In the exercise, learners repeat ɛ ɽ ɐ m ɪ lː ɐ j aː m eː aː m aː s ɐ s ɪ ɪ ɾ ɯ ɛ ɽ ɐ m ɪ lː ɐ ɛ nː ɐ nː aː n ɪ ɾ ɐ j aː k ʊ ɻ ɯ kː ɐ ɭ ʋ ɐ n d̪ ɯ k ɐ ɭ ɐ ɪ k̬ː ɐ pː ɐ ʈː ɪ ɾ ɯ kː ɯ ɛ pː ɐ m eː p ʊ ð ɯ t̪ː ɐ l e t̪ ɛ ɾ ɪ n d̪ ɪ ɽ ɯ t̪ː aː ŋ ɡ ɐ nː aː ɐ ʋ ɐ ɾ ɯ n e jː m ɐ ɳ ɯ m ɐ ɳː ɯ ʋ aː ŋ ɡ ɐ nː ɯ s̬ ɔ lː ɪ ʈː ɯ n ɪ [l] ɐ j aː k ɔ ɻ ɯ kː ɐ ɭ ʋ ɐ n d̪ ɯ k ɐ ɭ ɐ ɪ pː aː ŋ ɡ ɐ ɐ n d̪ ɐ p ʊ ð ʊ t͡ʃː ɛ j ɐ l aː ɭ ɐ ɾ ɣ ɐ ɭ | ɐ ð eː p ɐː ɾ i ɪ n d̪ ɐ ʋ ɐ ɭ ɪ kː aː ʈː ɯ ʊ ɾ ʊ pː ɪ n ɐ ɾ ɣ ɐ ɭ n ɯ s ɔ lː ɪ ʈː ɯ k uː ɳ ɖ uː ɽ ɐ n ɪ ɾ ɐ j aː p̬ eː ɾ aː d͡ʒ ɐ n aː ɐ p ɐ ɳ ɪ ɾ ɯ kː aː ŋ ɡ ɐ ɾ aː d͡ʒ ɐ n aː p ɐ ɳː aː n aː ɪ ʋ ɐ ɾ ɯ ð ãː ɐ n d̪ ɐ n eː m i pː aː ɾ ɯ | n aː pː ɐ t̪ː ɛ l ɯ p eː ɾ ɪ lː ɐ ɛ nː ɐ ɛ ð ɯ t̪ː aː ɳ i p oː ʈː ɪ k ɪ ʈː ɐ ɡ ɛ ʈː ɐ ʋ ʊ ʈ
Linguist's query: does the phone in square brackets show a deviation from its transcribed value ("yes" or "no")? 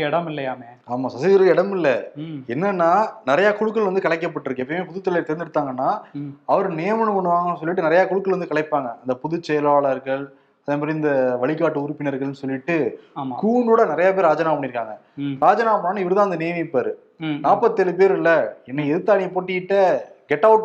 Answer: yes